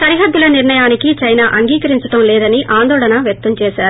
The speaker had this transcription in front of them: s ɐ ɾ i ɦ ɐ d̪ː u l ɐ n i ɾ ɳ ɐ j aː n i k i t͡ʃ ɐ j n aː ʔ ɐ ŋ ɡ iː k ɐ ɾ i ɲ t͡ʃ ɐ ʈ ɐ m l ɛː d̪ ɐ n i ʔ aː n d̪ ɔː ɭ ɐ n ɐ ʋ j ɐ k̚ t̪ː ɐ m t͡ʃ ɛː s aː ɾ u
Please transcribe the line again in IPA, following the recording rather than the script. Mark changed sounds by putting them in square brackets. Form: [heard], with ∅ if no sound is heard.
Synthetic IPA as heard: s ɐ ɾ i ɦ ɐ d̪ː u l ɐ n i ɾ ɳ ɐ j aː n i k i t͡ʃ ɐ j n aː ʔ ɐ ŋ ɡ iː k ɐ ɾ i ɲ t͡ʃ ɐ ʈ ɐ m l ɛː d̪ ɐ n i ʔ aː n d̪ ɔː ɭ ɐ n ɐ ʋ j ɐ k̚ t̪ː ɐ m t͡ʃ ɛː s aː ɾ u